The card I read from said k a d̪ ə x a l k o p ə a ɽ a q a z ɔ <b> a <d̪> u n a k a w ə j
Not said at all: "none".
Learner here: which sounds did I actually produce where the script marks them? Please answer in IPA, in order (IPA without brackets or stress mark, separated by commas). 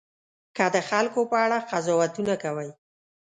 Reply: w, t̪